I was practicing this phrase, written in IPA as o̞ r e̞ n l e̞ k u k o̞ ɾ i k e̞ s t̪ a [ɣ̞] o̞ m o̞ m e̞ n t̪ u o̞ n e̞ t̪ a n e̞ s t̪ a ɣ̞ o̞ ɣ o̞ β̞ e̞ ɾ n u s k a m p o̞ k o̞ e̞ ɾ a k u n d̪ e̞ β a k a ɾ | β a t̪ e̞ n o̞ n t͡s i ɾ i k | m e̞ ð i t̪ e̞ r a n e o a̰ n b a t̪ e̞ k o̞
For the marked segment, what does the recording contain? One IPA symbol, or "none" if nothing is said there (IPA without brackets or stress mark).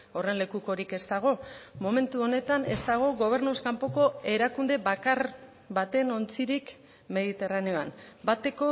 ɣ̞